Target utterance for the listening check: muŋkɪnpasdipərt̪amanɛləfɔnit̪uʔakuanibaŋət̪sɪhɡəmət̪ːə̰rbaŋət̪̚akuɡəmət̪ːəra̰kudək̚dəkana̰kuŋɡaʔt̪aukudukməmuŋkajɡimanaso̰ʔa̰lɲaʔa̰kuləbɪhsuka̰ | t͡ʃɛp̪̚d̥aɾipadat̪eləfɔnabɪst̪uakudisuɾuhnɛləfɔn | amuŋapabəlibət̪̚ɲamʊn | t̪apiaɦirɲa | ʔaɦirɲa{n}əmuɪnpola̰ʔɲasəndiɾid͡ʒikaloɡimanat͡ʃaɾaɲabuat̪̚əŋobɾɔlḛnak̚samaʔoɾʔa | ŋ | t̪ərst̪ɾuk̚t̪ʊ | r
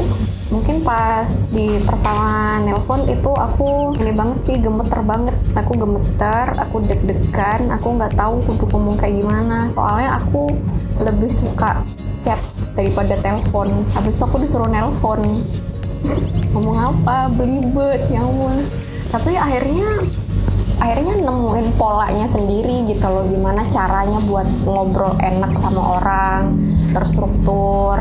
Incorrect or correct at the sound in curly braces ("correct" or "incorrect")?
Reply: correct